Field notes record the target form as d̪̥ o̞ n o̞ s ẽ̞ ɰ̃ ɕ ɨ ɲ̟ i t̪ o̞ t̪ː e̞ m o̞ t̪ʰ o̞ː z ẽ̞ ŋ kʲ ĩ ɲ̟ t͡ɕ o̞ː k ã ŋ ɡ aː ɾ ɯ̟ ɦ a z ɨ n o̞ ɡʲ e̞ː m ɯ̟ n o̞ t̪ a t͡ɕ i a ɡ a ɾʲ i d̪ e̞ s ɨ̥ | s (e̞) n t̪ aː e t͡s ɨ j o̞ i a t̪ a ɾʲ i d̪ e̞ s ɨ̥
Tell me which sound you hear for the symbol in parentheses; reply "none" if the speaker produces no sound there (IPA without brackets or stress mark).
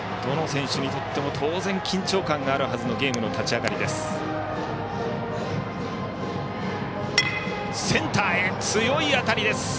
ẽ̞